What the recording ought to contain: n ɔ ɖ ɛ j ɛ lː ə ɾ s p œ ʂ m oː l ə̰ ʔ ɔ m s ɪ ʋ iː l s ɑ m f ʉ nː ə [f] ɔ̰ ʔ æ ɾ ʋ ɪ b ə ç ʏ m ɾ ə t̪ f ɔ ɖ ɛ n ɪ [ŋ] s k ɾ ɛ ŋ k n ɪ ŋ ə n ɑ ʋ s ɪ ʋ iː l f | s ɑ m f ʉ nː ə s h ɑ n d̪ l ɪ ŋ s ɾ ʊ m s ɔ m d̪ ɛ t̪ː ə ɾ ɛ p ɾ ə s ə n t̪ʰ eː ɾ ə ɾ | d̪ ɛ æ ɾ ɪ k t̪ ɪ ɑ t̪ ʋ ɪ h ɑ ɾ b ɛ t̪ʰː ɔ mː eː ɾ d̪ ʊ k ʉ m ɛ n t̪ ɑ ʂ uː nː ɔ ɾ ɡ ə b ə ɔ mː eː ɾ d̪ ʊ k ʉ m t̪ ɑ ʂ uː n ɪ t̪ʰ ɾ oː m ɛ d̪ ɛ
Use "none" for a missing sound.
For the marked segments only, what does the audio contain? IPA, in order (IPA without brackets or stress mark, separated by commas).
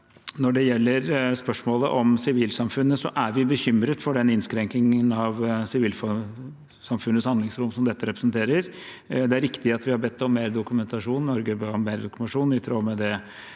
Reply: s, n